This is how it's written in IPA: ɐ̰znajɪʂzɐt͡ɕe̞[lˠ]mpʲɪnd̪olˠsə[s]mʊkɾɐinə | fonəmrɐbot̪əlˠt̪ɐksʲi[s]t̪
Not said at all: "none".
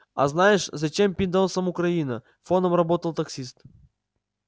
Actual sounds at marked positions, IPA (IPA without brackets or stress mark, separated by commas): none, none, s